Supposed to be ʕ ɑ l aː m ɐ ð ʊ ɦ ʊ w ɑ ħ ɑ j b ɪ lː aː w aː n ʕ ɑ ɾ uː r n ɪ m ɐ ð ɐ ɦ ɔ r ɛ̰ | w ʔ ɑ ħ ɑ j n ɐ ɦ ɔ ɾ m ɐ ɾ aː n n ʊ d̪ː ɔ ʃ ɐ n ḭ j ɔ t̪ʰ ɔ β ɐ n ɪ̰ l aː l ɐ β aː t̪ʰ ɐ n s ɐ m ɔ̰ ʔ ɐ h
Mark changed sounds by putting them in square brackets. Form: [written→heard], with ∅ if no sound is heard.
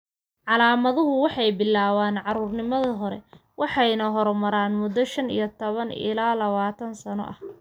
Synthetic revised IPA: ʕ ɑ l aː m ɐ ð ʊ ɦ ʊ w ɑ ħ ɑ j b ɪ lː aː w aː n ʕ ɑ ɾ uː r n ɪ m ɐ ð ɐ ɦ ɔ [r→ɾ] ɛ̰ | w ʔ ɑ ħ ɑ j n ɐ ɦ ɔ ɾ m ɐ ɾ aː n [n→m] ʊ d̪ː ɔ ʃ ɐ n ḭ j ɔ t̪ʰ ɔ β ɐ n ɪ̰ l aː l ɐ β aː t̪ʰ ɐ n s ɐ [m→n] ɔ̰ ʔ ɐ h

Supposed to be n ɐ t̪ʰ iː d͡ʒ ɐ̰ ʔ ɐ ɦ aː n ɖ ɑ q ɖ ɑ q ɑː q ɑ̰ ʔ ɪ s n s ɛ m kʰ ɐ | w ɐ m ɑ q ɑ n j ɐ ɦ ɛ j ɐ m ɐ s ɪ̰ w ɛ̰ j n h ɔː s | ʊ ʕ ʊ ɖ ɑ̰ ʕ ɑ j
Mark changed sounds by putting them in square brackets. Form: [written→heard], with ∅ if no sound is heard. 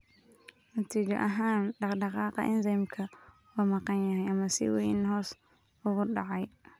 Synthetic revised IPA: n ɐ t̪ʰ iː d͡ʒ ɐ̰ ʔ ɐ ɦ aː n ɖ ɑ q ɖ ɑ q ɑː q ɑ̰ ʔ ɪ [s→∅] n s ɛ m kʰ ɐ | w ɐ m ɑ q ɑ n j ɐ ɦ ɛ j ɐ m ɐ s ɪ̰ w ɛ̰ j n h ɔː s | ʊ [ʕ→ɣ] ʊ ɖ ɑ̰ ʕ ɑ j

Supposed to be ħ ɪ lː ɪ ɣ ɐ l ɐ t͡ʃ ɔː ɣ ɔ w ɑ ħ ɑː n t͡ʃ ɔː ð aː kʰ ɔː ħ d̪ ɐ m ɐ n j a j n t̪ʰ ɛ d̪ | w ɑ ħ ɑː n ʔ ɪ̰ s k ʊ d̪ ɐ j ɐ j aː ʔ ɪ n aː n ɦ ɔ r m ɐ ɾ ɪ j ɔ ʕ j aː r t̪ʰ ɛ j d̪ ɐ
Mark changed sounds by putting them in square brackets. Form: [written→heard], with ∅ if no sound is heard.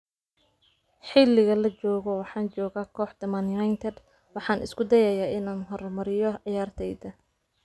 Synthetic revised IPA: ħ ɪ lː ɪ ɣ ɐ l ɐ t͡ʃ ɔː ɣ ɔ w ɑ ħ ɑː n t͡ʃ ɔː [ð→ɣ] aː kʰ ɔː ħ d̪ ɐ m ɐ n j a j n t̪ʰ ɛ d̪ | w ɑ ħ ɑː n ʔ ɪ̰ s k ʊ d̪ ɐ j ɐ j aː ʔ ɪ n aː n ɦ ɔ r m ɐ ɾ ɪ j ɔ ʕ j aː r t̪ʰ ɛ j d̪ ɐ

